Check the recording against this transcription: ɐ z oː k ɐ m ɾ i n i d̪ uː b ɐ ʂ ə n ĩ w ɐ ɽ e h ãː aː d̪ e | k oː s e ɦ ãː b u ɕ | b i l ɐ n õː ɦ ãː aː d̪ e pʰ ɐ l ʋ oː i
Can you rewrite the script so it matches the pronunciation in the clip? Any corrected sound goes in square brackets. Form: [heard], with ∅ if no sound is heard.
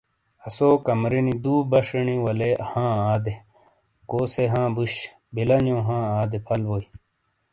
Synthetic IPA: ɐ [s] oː k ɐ m ɾ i n i d̪ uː b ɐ ʂ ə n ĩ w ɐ [l] e h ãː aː d̪ e | k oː s e ɦ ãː b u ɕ | b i l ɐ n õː ɦ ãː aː d̪ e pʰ ɐ l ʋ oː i